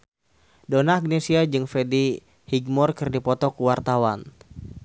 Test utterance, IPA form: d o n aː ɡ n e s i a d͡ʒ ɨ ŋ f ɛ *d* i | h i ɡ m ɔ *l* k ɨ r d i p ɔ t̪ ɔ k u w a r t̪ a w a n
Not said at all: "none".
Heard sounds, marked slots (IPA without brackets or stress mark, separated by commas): d, r